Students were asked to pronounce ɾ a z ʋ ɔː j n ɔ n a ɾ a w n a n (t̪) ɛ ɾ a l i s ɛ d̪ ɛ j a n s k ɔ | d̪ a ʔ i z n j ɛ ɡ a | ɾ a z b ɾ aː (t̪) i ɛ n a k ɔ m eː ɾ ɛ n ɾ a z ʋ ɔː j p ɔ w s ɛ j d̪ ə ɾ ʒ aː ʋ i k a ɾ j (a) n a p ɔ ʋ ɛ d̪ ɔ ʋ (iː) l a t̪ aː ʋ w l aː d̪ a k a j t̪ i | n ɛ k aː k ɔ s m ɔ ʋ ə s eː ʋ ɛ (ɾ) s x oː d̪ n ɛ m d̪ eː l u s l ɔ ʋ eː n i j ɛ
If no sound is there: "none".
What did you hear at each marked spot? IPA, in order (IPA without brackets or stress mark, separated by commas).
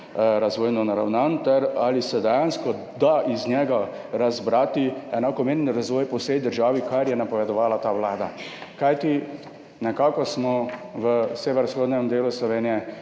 t̪, t̪, ɛ, aː, ɾ